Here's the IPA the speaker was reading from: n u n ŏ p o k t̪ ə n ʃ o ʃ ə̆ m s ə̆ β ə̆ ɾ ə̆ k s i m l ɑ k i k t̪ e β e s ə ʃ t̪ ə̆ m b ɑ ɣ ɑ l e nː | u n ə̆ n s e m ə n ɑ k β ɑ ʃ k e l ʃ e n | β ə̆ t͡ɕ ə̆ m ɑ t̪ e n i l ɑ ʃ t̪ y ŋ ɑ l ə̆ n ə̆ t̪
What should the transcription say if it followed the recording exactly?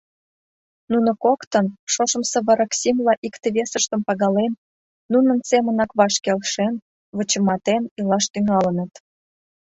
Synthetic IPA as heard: n u n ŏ k o k t̪ ə n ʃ o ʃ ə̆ m s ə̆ β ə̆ ɾ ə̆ k s i m l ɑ ʔ i k t̪ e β e s ə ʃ t̪ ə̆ m p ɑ ɣ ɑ l e nː | u n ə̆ n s e m ə n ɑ k β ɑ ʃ k e l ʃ e n | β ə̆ t͡ɕ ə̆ m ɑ t̪ e n i l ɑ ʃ t̪ y ŋ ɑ l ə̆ n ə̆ t̪